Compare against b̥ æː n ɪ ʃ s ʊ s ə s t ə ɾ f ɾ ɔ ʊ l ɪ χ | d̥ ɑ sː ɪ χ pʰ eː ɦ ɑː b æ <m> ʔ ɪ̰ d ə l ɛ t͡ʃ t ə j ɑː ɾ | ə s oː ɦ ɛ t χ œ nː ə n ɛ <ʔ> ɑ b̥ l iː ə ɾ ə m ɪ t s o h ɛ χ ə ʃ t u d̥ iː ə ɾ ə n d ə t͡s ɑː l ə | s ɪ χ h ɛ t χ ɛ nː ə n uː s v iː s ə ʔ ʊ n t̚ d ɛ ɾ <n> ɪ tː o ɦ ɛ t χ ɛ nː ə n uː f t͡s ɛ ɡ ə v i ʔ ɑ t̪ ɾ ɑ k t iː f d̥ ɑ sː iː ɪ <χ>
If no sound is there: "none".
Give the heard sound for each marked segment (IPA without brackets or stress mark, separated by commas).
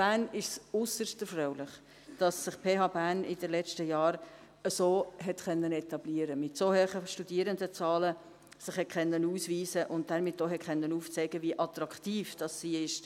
n, t, m, ʃ